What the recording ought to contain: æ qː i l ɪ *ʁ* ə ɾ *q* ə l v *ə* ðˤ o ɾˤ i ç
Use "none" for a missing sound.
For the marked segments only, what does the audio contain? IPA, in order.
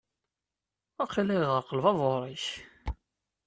ʁ, q, ɑ

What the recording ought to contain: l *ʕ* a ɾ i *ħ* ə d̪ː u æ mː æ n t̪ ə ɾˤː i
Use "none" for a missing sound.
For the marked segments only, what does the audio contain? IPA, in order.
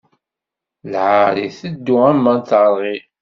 ʕ, θ

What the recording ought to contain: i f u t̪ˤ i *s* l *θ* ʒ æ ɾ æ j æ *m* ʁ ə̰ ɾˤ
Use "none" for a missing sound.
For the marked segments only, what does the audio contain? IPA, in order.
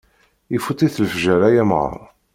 θ, f, m

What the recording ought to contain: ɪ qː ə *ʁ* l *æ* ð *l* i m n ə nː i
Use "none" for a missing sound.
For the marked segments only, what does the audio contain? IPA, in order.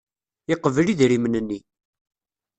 v, i, ɾ

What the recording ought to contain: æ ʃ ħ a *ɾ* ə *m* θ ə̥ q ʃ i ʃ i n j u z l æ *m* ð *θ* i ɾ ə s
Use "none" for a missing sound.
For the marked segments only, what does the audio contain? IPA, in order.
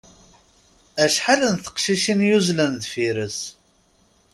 l, n, n, f

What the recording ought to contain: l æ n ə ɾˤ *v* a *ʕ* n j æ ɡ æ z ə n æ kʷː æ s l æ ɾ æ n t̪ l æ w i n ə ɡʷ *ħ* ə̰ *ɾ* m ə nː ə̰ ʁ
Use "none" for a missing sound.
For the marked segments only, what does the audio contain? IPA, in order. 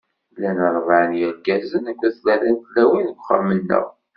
v, ʕ, χ, ɾ

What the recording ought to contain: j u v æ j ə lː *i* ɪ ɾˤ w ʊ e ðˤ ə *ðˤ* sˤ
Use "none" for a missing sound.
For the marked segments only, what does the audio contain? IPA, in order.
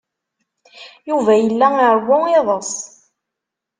æ, none

